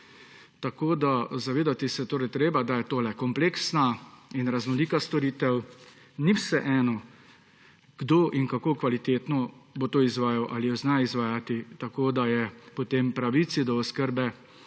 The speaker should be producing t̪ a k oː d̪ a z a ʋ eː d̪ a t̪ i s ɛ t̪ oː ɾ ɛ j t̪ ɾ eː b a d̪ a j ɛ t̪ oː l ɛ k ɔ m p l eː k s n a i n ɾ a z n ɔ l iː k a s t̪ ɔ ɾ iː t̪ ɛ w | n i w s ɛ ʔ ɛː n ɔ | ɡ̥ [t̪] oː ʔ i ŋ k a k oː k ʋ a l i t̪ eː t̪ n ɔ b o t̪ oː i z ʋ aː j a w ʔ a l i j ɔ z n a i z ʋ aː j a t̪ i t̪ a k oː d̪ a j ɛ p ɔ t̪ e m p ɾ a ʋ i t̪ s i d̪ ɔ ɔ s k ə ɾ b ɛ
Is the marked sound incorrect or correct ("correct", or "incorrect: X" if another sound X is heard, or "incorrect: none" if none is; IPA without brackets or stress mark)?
incorrect: d̪